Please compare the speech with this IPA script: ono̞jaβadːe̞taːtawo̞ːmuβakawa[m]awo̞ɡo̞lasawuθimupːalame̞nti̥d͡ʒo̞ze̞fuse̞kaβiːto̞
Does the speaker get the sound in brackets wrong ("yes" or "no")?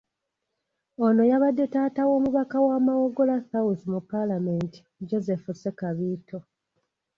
no